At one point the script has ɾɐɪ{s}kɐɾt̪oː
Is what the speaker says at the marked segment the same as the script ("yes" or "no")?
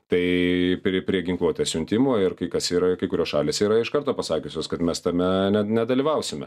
no